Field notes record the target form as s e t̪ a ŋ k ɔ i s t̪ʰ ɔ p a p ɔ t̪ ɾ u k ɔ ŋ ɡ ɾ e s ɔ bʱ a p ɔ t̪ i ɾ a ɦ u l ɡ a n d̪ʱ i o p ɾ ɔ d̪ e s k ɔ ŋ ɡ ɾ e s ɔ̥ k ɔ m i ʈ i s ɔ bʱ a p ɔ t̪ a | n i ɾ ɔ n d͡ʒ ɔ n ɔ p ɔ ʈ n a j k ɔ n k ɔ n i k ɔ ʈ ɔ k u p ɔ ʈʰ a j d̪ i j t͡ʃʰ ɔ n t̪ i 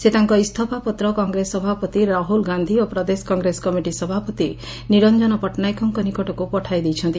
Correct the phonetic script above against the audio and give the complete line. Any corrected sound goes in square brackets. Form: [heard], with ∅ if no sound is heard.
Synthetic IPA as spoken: s e t̪ a ŋ k ɔ i s t̪ʰ ɔ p a p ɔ t̪ ɾ [ɔ] k ɔ ŋ ɡ ɾ e s ɔ bʱ a p ɔ t̪ i ɾ a ɦ u l ɡ a n d̪ʱ i o p ɾ ɔ d̪ e s k ɔ ŋ ɡ ɾ e s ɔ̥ k ɔ m i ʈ i s ɔ bʱ a p ɔ t̪ [i] | n i ɾ ɔ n d͡ʒ ɔ n ɔ p ɔ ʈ n a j k ɔ [ŋ] k ɔ n i k ɔ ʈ ɔ k u p ɔ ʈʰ a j d̪ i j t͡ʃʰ ɔ n t̪ i